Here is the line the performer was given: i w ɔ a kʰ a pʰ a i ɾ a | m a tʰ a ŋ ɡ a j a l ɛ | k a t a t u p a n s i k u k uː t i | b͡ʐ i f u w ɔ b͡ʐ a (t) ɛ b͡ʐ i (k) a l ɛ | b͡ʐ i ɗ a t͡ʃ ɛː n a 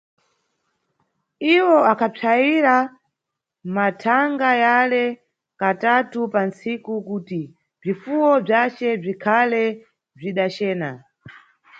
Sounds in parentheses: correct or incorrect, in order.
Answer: incorrect, incorrect

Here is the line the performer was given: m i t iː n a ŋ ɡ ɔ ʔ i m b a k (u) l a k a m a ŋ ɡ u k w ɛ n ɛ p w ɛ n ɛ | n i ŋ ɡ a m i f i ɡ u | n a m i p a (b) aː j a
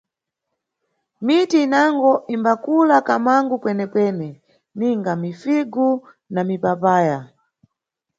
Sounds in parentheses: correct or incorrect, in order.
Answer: correct, incorrect

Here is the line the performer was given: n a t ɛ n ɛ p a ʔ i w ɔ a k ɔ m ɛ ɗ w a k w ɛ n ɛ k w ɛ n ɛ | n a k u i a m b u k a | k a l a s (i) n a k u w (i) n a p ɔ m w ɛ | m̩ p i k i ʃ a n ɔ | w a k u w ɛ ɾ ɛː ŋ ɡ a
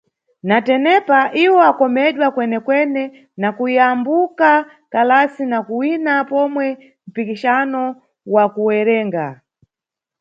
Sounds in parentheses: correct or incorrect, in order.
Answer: correct, correct

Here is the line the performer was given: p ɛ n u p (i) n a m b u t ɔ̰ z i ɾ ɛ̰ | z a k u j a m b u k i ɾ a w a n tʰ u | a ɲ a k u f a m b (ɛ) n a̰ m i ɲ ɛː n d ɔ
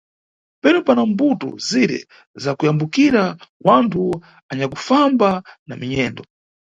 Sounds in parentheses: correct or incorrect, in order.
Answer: incorrect, incorrect

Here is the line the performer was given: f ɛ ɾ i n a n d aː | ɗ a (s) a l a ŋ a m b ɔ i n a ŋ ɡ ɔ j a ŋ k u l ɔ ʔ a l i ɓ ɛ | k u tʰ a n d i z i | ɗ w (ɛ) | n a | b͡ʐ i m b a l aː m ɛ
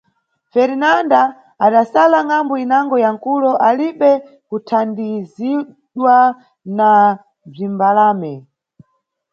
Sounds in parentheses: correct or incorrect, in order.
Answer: correct, incorrect

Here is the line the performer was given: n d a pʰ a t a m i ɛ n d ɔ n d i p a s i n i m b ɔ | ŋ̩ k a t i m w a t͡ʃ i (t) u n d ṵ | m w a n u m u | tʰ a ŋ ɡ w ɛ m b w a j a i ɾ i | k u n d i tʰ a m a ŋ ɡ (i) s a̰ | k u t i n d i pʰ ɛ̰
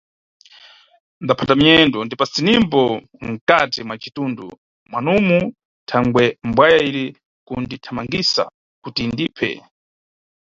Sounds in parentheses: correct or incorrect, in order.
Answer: correct, correct

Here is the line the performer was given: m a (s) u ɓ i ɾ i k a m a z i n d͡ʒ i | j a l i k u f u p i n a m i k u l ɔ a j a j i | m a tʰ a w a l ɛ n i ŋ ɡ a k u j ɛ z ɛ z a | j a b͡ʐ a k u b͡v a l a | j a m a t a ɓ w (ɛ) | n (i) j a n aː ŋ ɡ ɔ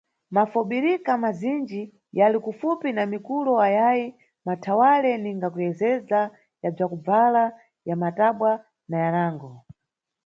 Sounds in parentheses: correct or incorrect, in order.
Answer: incorrect, incorrect, incorrect

